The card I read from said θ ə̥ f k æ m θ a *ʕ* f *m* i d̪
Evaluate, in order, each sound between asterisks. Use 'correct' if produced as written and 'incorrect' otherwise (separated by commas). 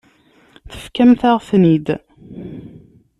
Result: incorrect, incorrect